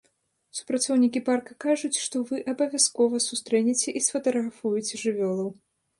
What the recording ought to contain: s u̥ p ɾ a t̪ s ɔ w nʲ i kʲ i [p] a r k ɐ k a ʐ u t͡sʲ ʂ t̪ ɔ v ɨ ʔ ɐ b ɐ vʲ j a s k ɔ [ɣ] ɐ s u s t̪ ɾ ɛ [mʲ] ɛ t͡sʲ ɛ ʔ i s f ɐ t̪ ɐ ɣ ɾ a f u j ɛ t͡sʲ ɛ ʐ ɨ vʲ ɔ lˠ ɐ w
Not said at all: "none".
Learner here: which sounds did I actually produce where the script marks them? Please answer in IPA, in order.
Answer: p, v, nʲ

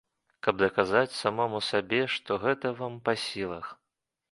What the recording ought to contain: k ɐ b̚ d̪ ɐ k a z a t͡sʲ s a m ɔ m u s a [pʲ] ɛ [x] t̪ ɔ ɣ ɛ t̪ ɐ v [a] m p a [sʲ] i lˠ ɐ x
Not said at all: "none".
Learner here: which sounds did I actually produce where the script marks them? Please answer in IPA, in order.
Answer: bʲ, ʂ, a, sʲ

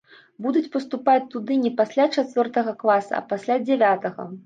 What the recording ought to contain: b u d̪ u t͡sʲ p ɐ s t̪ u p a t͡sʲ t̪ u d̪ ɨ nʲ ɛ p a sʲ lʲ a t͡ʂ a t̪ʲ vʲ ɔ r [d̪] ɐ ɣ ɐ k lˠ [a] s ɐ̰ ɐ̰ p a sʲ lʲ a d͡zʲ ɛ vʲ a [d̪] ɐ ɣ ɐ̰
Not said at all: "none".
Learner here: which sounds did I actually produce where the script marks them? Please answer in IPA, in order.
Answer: t̪, a, t̪

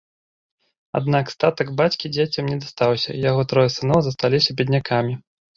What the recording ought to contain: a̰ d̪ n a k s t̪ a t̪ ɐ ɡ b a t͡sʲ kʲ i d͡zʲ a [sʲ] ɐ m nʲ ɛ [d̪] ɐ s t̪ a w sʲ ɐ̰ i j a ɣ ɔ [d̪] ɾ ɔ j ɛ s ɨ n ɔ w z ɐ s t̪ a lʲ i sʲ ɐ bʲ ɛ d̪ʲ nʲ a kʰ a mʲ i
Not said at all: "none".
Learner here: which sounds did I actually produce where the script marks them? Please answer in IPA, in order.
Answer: t͡sʲ, d̪, t̪

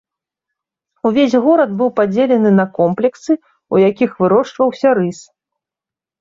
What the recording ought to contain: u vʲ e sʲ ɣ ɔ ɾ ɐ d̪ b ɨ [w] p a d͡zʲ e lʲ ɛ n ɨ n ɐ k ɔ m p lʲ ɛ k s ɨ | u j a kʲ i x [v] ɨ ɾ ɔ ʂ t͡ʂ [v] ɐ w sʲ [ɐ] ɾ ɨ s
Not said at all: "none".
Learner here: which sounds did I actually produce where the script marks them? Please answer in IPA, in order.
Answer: w, v, v, ɐ

